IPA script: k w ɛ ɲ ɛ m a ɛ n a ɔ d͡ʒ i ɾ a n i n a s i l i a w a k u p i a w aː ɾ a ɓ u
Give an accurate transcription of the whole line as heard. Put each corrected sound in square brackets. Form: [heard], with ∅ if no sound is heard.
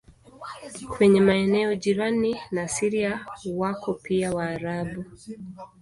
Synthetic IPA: k w ɛ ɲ ɛ m a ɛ n [ɛ] ɔ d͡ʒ i ɾ a n i n a s i [ɾ] i a w a k [ɔ] p i a w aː ɾ a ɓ u